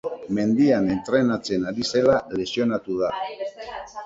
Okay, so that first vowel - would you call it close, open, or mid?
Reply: mid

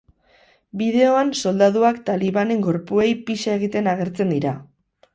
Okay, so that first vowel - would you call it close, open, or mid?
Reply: close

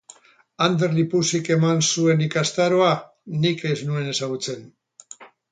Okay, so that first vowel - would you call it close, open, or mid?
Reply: open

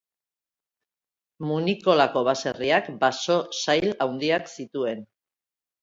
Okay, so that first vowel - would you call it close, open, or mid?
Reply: close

